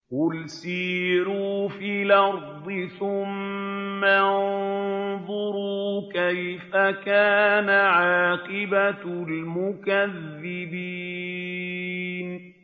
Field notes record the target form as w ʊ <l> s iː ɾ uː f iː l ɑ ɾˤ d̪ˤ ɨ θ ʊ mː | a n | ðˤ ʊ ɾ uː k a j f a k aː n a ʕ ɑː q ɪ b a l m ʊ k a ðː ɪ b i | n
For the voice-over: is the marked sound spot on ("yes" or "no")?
yes